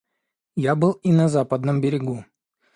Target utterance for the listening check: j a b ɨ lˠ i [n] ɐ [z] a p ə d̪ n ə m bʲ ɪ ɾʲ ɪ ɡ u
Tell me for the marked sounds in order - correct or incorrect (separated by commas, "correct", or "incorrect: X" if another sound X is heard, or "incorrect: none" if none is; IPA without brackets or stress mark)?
correct, correct